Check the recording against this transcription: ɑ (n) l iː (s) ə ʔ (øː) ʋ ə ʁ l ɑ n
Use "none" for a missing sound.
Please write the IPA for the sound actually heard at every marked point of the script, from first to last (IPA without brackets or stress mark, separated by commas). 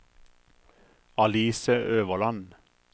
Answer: none, s, øː